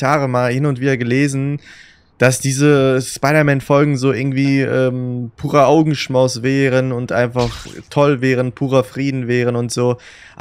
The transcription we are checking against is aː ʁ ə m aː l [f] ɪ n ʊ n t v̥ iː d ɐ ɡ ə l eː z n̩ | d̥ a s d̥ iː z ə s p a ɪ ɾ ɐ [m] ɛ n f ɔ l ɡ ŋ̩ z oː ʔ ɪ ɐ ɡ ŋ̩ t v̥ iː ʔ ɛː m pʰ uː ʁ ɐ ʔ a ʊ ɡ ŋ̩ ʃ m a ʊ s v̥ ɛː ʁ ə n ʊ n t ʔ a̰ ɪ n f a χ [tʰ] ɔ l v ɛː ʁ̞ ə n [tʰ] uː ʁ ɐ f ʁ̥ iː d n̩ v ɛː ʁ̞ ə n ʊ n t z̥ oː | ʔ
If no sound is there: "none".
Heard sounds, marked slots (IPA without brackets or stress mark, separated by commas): h, m, tʰ, pʰ